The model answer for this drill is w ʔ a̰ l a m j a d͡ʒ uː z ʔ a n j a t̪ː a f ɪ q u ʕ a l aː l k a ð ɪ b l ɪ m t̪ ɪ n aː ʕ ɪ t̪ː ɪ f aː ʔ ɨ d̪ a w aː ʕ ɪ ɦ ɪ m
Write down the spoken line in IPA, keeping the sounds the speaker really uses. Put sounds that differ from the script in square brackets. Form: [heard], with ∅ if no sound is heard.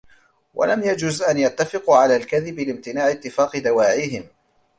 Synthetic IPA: w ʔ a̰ l a m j a d͡ʒ uː z ʔ a n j a t̪ː a f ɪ q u ʕ a l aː l k a ð ɪ b l ɪ m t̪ ɪ n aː ʕ ɪ t̪ː ɪ f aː [q] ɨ d̪ a w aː ʕ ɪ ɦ ɪ m

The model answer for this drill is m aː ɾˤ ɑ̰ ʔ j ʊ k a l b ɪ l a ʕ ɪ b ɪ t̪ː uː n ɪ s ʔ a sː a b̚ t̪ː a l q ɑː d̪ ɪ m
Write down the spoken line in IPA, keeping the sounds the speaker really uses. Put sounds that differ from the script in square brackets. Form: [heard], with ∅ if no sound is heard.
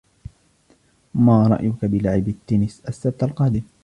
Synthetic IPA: m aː ɾˤ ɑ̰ ʔ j ʊ k a [∅] b ɪ l a ʕ ɪ b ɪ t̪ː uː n ɪ s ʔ a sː a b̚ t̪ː a l q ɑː d̪ ɪ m

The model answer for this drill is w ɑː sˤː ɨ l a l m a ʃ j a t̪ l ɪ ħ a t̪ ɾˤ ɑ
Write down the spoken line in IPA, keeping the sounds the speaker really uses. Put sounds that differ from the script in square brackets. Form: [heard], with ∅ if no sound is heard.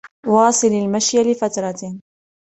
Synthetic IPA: w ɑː [sˤ] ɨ l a l m a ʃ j a [∅] l ɪ [f] a t̪ ɾˤ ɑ

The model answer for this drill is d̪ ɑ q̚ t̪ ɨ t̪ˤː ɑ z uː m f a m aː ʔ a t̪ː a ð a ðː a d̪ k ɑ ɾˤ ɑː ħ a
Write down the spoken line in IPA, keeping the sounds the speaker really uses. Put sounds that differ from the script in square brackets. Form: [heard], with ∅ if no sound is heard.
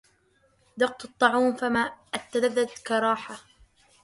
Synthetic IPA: d̪ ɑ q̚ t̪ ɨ t̪ˤː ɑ [ʕ] uː m f a m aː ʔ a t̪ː a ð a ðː a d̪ k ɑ ɾˤ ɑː ħ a

